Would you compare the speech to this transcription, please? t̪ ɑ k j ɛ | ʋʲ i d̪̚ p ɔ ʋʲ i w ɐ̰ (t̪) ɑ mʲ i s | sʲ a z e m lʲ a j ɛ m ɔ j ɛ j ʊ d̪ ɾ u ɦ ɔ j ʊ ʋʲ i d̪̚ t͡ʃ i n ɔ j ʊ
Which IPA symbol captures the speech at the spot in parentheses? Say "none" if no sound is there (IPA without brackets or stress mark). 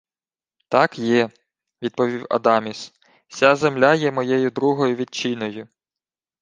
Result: d̪